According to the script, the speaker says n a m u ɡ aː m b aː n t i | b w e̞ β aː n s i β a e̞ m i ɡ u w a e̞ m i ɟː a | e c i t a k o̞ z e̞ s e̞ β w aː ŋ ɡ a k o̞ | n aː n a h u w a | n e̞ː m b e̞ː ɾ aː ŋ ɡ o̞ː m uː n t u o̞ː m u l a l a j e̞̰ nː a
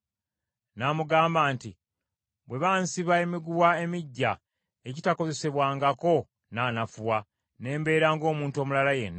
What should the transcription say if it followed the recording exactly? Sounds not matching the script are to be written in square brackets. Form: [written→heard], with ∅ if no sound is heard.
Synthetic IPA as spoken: n a m u ɡ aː m b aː n t i | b w e̞ β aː n s i β a e̞ m i ɡ u w a e̞ m i ɟː a | e c i t a k o̞ z e̞ s e̞ β w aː ŋ ɡ a k o̞ | n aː n a [h→f] u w a | n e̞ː m b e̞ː ɾ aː ŋ ɡ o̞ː m uː n t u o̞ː m u l a l a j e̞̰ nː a